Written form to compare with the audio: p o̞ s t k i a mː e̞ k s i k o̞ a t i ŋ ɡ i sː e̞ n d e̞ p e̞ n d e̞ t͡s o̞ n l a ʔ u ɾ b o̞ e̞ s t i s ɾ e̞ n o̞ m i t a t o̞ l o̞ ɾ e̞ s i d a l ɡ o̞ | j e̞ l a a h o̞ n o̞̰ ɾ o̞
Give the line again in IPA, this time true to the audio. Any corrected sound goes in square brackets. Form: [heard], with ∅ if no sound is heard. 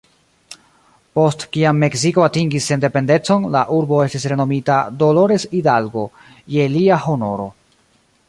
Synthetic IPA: p o̞ s t k i a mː e̞ k s i k o̞ a t i ŋ ɡ i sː e̞ n d e̞ p e̞ n d e̞ t͡s o̞ n l a ʔ u ɾ b o̞ e̞ s t i s ɾ e̞ n o̞ m i t a [d] o̞ l o̞ ɾ e̞ s i d a l ɡ o̞ | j e̞ l [i] a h o̞ n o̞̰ ɾ o̞